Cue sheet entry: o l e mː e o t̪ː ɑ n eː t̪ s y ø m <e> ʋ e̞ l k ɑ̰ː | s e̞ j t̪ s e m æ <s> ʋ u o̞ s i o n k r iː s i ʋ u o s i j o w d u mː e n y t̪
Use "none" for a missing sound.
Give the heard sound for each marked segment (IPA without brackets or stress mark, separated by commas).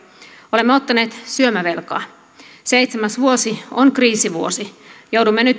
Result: æ, s